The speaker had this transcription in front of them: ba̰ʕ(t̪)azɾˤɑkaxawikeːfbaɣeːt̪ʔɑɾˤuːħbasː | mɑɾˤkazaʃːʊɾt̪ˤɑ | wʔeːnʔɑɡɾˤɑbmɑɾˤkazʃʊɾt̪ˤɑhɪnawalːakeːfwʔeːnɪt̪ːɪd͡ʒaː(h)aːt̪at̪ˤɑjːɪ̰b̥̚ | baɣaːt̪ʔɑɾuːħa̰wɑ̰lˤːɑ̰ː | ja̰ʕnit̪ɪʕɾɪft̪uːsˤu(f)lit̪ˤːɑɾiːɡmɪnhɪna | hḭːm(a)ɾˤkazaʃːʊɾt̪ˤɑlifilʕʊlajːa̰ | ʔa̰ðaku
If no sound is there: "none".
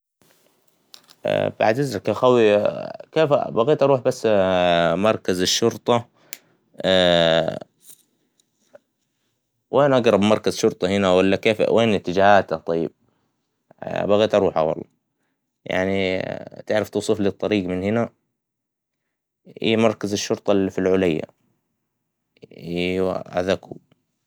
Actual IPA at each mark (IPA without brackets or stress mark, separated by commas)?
d̪, h, f, ɑ